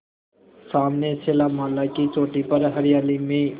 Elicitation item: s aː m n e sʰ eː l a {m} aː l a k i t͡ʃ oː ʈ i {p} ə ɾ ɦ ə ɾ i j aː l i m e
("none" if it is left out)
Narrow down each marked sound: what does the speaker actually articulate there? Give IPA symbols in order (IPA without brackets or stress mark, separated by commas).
m, p